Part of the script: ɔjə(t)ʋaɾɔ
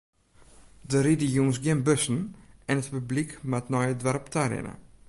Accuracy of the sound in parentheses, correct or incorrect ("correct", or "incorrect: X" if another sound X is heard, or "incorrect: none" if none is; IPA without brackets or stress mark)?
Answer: incorrect: d